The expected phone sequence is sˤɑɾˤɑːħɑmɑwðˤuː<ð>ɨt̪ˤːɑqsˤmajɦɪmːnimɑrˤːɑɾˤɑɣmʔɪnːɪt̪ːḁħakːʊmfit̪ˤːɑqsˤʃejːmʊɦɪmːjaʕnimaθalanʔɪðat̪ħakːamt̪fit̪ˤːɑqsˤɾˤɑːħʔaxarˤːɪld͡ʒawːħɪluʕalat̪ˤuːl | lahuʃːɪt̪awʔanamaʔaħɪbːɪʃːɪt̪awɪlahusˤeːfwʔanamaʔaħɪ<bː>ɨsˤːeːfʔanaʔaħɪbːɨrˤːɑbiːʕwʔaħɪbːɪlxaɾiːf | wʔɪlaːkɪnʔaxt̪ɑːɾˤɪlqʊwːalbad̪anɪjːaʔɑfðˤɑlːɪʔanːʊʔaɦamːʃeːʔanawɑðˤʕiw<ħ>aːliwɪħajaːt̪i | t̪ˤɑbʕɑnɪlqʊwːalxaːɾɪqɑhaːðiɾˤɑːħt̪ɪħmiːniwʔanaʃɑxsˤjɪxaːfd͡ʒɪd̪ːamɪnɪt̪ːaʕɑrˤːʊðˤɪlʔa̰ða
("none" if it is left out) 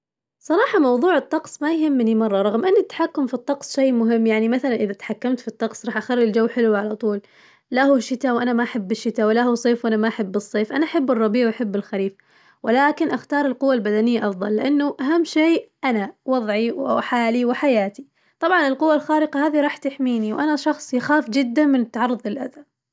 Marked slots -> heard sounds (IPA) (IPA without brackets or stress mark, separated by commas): ʕ, bː, ħ